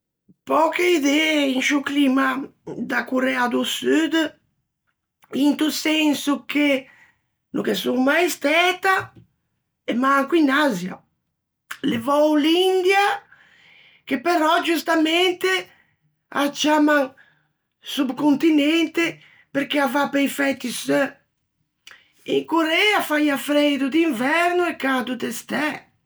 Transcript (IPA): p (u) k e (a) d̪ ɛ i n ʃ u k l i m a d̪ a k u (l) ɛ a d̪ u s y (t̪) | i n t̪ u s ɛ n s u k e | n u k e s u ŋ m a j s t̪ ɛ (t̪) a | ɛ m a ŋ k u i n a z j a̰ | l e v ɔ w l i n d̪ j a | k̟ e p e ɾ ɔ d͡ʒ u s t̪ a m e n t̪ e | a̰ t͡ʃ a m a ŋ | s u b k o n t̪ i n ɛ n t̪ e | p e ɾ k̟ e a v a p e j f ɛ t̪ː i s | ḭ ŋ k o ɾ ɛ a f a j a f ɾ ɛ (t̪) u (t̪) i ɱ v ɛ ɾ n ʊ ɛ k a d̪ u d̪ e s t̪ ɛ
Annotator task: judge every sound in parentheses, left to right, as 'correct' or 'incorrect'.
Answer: incorrect, incorrect, incorrect, incorrect, correct, incorrect, incorrect

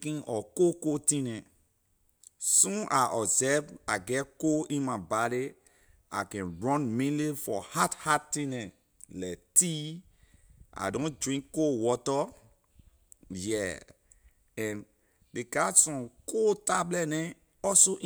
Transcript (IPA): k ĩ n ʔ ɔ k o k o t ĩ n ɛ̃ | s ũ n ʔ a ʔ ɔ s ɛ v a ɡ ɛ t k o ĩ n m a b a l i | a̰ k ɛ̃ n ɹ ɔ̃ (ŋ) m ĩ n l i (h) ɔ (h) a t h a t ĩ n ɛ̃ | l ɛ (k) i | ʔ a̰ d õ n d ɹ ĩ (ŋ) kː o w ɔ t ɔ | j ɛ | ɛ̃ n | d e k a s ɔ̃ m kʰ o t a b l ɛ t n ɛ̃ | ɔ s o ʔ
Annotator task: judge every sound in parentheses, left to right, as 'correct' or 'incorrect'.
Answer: incorrect, incorrect, correct, incorrect, correct

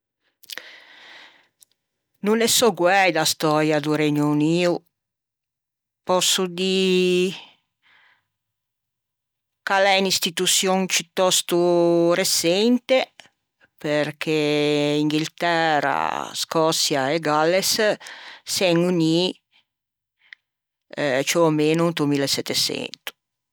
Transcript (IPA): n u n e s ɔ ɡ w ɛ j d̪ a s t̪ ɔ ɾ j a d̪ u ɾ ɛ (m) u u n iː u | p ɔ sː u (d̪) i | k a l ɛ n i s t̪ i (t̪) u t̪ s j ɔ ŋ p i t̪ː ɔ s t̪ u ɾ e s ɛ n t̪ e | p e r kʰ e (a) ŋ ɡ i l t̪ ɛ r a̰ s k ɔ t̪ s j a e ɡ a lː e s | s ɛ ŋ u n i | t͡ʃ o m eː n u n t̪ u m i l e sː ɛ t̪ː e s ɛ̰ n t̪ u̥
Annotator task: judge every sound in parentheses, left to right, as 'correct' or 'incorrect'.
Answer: incorrect, correct, correct, incorrect

